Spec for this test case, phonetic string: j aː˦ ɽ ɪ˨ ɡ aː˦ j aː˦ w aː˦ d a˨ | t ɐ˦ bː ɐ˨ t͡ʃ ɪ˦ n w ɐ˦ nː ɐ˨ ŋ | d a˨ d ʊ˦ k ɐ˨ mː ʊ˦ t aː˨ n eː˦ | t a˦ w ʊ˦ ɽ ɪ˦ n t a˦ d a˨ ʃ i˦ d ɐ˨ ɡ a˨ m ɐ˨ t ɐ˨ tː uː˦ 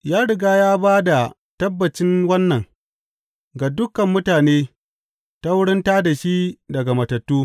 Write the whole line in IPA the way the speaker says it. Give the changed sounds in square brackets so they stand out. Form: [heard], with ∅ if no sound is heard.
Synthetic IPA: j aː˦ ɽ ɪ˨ ɡ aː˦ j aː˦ [b] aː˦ d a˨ | t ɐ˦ bː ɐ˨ t͡ʃ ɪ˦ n w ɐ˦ nː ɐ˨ ŋ | [ɡ] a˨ d ʊ˦ k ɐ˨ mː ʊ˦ t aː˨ n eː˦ | t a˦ w ʊ˦ ɽ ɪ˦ n t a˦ d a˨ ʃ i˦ d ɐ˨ ɡ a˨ m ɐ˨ t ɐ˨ tː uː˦

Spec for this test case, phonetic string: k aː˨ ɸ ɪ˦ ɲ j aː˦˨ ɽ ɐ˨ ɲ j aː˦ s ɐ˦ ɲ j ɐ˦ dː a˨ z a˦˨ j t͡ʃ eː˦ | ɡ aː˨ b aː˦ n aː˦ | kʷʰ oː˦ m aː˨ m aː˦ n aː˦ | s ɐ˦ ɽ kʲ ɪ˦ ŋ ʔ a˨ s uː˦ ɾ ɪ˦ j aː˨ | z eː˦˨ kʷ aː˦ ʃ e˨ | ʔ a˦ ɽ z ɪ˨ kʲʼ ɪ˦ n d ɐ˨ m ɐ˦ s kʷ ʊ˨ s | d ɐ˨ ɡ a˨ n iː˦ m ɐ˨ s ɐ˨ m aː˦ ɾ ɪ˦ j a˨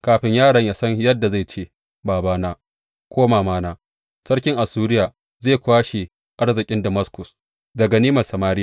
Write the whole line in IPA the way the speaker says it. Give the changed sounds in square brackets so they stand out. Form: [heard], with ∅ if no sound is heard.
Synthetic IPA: k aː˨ ɸ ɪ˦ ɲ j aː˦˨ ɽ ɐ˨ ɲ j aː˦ s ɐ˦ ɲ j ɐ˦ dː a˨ z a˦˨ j t͡ʃ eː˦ | [b] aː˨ b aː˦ n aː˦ | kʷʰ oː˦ m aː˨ m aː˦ n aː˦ | s ɐ˦ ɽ kʲ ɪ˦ ŋ ʔ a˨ s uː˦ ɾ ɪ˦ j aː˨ | z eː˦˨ kʷ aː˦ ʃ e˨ | ʔ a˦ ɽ z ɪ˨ kʲʼ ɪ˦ n d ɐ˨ m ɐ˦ s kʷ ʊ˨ s | d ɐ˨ ɡ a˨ n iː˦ m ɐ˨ s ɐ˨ m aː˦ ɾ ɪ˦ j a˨

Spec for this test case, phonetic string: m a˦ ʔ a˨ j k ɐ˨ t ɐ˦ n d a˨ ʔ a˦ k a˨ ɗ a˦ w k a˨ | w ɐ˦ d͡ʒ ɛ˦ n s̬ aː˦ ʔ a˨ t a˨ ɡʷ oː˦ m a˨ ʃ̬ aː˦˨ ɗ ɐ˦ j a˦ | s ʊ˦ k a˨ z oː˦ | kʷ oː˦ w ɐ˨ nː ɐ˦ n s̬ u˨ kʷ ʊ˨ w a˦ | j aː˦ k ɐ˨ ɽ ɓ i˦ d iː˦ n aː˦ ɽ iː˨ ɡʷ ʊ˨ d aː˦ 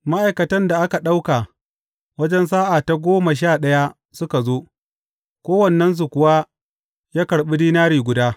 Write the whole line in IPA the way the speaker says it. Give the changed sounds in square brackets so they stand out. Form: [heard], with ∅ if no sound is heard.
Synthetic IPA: m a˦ ʔ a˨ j k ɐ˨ t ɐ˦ n d a˨ ʔ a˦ k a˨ ɗ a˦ w k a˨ | w ɐ˦ d͡ʒ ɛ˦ n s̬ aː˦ ʔ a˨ t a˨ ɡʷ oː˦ m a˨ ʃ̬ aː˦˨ ɗ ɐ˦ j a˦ | s ʊ˦ k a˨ z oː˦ | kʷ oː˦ w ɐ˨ nː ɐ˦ n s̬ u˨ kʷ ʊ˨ w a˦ | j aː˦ k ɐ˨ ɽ ɓ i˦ d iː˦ n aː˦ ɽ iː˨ ɡʷ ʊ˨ d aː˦

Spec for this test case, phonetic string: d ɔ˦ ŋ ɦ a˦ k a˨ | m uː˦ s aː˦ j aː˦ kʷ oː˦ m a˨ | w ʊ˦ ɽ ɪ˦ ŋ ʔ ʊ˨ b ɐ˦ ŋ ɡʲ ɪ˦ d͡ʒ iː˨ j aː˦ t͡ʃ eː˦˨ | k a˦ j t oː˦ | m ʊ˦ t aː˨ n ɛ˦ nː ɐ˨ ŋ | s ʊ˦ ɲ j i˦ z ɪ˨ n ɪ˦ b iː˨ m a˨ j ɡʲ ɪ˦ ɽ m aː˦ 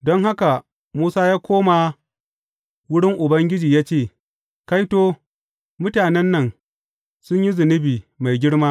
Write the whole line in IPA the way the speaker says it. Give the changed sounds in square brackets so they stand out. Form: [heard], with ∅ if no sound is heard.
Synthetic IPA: d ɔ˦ ŋ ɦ a˦ k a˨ | m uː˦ s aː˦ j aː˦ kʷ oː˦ m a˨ | w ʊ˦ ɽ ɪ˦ ŋ ʔ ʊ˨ b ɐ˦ ŋ ɡʲ ɪ˦ d͡ʒ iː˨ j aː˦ t͡ʃ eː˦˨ | k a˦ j t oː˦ | m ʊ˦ t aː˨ n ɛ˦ nː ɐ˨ ŋ | s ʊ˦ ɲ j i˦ z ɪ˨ n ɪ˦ b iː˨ m a˨ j ɡʲ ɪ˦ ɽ m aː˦

